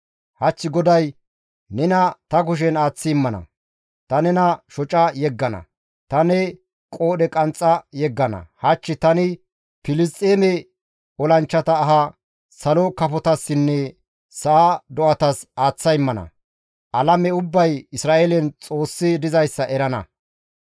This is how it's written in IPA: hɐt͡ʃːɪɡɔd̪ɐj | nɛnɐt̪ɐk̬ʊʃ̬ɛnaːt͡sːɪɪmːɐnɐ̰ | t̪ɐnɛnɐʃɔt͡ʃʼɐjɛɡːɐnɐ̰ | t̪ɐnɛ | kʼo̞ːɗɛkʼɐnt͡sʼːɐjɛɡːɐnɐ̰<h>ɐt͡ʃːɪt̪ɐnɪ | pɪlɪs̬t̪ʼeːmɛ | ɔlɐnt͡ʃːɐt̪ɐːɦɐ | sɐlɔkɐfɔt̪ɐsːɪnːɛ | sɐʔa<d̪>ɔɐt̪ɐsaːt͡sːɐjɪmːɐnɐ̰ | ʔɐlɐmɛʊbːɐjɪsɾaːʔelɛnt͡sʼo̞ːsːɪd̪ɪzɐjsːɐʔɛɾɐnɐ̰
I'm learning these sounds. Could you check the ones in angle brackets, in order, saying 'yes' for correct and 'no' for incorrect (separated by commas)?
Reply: yes, yes